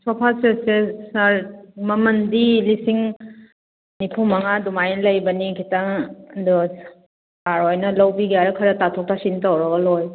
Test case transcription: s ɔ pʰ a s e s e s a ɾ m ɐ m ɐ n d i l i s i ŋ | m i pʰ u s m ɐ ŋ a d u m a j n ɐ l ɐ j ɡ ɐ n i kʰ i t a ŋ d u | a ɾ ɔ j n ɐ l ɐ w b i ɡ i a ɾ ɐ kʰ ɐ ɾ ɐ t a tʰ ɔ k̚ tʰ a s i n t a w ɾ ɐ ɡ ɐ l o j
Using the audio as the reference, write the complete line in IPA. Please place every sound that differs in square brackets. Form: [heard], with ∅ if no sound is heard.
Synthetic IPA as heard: s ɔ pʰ a s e s e s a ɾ m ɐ m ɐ n d i l i s i ŋ | [n] i pʰ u [∅] m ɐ ŋ a d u m a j n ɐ l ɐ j [b] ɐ n i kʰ i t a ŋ d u | a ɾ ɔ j n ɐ l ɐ w b i ɡ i a ɾ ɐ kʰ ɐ ɾ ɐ t a tʰ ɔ k̚ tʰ a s i n t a w ɾ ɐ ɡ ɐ l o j